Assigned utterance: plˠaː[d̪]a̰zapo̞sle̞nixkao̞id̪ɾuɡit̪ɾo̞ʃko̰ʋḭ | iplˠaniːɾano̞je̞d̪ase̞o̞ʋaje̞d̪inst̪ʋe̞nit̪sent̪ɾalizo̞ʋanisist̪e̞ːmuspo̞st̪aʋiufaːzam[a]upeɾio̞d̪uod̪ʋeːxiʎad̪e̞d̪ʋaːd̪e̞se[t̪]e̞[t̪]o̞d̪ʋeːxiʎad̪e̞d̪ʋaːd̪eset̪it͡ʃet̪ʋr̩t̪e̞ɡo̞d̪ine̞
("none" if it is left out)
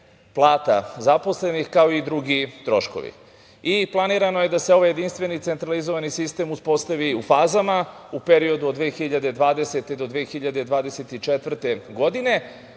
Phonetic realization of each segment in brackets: t̪, a, t̪, d̪

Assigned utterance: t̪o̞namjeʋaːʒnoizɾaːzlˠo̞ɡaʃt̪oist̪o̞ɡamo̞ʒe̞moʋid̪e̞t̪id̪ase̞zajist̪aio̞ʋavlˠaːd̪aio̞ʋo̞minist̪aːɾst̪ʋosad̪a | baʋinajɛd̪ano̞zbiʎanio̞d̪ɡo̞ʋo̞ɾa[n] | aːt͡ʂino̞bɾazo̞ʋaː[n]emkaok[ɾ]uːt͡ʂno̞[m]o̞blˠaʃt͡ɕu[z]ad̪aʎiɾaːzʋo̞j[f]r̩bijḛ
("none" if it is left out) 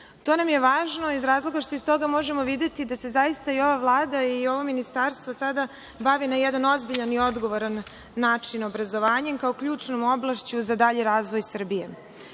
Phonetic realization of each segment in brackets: nː, ɲ, ʎ, m, z, s

